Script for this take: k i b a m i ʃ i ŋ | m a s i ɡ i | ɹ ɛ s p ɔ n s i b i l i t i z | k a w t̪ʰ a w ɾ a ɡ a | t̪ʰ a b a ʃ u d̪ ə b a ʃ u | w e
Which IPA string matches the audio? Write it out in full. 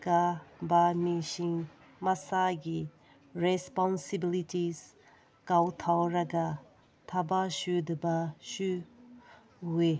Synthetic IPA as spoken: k a b a m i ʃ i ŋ | m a s a ɡ i | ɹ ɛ s p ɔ n s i b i l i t i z | k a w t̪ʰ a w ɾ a ɡ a | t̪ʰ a b a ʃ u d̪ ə b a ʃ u | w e